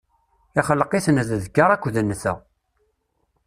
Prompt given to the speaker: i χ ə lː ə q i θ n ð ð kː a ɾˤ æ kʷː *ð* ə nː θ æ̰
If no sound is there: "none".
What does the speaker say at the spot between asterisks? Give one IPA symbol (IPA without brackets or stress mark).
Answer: ð